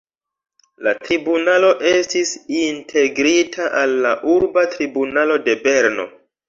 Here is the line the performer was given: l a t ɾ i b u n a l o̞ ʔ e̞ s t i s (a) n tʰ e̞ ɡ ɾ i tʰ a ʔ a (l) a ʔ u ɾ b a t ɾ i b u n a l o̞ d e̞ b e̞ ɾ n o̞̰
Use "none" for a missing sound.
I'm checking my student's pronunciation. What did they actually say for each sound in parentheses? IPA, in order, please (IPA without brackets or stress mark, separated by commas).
i, lː